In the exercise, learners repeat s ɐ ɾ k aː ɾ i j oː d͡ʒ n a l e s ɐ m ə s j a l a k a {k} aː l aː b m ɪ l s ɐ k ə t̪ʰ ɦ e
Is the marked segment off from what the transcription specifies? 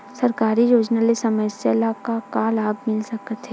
no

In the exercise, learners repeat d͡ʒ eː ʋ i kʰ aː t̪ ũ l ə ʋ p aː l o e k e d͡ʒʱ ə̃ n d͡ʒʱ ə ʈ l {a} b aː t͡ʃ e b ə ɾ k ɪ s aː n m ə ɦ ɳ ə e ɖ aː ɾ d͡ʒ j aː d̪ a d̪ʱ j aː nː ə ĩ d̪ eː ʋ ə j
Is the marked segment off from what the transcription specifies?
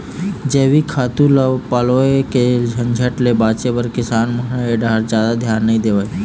yes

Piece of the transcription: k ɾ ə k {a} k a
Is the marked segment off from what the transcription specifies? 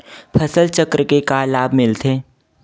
yes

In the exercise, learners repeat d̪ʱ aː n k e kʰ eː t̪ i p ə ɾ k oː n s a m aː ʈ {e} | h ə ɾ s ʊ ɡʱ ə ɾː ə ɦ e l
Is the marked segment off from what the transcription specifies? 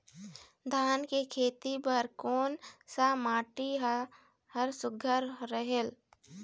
yes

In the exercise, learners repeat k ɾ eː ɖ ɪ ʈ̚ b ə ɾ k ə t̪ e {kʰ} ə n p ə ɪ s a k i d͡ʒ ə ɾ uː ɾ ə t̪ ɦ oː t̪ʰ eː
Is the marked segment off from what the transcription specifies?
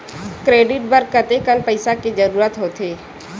yes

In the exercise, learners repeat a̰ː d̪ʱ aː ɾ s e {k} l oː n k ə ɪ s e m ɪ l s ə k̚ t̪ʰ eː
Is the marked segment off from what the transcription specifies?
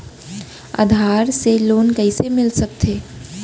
yes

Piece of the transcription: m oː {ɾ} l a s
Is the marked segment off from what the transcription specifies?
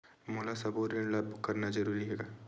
yes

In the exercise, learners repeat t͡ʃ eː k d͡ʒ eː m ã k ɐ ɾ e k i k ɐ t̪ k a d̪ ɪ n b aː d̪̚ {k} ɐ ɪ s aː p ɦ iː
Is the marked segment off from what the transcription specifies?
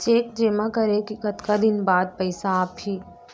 yes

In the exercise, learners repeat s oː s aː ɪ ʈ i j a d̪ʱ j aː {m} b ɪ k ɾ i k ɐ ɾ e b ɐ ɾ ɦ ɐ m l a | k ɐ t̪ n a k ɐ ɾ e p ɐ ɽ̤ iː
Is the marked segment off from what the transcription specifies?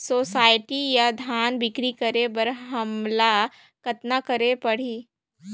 yes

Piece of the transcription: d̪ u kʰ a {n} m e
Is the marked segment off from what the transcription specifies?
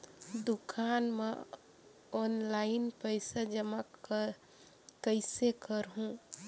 no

